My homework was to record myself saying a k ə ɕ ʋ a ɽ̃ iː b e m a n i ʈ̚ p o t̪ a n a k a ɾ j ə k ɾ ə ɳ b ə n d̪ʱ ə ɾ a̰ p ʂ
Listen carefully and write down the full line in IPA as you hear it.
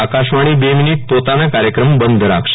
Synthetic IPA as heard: a k a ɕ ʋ a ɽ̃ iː b e m i n i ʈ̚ p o t̪ a n a k a ɾ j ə k ɾ ə m b ə n d̪ʱ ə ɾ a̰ k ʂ

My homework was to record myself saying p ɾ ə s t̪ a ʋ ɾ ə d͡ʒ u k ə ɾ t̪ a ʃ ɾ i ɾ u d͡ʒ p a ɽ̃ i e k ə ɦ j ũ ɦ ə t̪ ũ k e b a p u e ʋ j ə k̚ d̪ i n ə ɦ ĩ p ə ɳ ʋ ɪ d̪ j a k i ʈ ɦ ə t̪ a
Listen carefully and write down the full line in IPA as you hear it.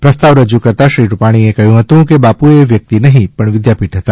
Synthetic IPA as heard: p ɾ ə s t̪ a ʋ ɾ ə d͡ʒ u k ə ɾ t̪ a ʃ ɾ i ɾ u p a ɽ̃ i e k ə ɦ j ũ ɦ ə t̪ ũ k e b a p u e ʋ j ə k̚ t̪ i n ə ɦ ĩ p ə ɳ ʋ ɪ d̪ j a p i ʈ ɦ ə t̪ a

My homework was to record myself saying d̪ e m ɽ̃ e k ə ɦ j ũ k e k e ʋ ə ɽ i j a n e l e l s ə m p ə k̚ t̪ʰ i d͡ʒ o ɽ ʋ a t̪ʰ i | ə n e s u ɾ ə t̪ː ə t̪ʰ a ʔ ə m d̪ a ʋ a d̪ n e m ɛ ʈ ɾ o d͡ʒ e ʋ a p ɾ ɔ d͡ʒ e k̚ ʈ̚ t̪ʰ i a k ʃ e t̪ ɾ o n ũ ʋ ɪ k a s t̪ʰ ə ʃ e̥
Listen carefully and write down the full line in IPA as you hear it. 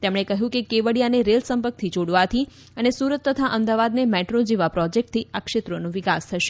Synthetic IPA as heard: t̪ e m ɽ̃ e k ə ɦ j ũ k e k e ʋ ə ɽ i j a n e ɾ e l s ə m p ə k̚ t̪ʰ i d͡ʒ o ɽ ʋ a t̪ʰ i | ə n e s u ɾ ə t̪ː ə t̪ʰ a ʔ ə m d̪ a ʋ a d̪ n e m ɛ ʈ ɾ o d͡ʒ e ʋ a p ɾ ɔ d͡ʒ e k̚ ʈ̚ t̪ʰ i a k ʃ e t̪ ɾ o n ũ ʋ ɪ k a s t̪ʰ ə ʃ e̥

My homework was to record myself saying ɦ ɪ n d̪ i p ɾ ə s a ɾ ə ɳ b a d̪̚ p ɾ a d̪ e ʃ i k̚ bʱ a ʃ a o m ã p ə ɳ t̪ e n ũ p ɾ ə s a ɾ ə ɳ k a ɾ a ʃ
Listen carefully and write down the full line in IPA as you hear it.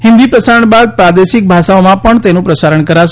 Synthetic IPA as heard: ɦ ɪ n d̪ i p ɾ ə s a ɾ ə ɳ b a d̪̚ p ɾ a d̪ e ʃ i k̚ bʱ a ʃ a o m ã p ə ɳ t̪ e n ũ p ɾ ə s a ɾ ə ɳ k ə ɾ a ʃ

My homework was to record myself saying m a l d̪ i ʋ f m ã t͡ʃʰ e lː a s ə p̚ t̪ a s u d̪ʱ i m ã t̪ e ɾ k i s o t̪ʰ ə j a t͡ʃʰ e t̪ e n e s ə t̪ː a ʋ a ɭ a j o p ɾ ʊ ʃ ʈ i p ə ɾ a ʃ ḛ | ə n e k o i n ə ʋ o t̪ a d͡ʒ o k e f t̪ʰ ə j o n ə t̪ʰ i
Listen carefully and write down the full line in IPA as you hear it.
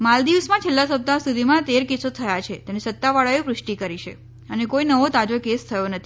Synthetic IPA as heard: m a l d̪ i ʋ s m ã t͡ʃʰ e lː a s ə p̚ t̪ a s u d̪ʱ i m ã t̪ e ɾ k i s o t̪ʰ ə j a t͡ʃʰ e t̪ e n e s ə t̪ː a ʋ a ɭ a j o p ɾ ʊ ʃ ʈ i k ə ɾ i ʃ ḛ | ə n e k o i n ə ʋ o t̪ a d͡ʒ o k e s t̪ʰ ə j o n ə t̪ʰ i

